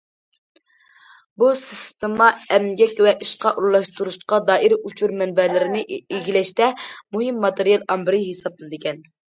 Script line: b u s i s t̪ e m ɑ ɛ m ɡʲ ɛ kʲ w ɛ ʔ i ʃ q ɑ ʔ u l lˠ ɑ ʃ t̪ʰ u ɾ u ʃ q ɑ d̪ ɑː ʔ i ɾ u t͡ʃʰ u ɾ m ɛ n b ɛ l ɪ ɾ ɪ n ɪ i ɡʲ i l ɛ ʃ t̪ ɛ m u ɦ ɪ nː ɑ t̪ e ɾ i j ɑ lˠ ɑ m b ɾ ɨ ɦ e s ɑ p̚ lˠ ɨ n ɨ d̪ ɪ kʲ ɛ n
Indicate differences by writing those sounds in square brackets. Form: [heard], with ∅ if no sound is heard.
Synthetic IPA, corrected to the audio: b u s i s t̪ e m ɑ ɛ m ɡʲ ɛ kʲ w ɛ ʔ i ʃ q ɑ ʔ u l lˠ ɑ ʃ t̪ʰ u ɾ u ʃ q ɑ d̪ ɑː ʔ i ɾ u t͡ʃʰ u ɾ m ɛ n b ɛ l ɪ ɾ ɪ n ɪ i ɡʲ i l ɛ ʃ t̪ ɛ m u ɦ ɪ [mː] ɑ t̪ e ɾ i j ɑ lˠ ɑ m b ɾ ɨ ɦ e s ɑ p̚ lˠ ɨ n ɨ d̪ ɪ kʲ ɛ n

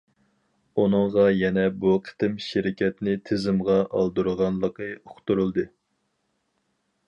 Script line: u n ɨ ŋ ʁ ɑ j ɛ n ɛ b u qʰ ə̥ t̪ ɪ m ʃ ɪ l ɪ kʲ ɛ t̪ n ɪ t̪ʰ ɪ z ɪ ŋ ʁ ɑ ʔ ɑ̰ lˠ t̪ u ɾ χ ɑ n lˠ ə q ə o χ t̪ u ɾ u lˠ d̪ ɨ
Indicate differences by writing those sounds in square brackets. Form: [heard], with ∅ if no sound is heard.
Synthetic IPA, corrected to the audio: u n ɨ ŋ ʁ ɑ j ɛ n ɛ b u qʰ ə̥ t̪ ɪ m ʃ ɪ [ɾ] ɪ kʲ ɛ t̪ n ɪ t̪ʰ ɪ z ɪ [m] ʁ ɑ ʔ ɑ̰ lˠ [d̪] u ɾ [ʁ] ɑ n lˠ ə q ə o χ t̪ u ɾ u lˠ d̪ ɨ

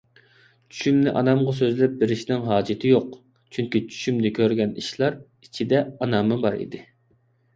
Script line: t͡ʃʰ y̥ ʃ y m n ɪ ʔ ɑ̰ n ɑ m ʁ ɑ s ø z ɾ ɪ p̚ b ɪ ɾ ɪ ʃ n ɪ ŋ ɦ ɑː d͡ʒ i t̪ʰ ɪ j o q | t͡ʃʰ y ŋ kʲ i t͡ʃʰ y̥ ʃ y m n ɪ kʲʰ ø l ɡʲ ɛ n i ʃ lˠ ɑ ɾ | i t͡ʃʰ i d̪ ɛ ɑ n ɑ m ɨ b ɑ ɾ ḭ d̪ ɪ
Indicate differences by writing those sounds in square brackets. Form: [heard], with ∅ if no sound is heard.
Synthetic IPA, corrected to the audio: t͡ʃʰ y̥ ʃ y m n ɪ ʔ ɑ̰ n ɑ m ʁ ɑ s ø z [l] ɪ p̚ b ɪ ɾ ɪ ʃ n ɪ ŋ ɦ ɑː d͡ʒ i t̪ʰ ɪ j o q | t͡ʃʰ y ŋ kʲ i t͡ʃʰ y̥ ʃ y m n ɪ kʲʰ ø [ɾ] ɡʲ ɛ n i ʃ lˠ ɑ ɾ | i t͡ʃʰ i d̪ ɛ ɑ n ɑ m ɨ b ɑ ɾ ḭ d̪ ɪ

